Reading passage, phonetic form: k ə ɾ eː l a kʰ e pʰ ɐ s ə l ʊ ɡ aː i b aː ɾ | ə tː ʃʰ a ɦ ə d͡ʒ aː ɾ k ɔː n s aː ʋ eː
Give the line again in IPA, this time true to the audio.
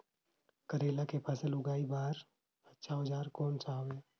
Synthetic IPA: k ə ɾ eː l a k e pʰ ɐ s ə l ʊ ɡ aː i b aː ɾ | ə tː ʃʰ a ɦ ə d͡ʒ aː ɾ k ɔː n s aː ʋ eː

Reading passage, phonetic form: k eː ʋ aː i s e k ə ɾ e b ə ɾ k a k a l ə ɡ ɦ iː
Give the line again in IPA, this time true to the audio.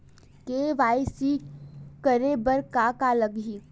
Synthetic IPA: k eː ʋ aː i s i k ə ɾ e b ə ɾ k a k a l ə ɡ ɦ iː

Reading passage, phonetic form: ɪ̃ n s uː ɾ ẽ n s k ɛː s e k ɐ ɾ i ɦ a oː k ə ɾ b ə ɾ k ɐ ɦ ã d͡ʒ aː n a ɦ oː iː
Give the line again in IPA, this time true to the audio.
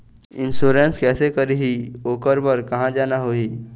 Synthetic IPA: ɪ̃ n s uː ɾ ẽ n s k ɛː s e k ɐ ɾ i ɦ i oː k ə ɾ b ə ɾ k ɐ ɦ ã d͡ʒ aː n a ɦ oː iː

